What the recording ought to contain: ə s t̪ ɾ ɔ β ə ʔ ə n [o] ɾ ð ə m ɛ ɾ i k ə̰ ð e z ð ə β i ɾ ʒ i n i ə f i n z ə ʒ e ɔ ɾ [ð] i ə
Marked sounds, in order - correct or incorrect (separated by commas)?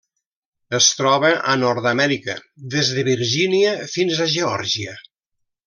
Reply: incorrect, incorrect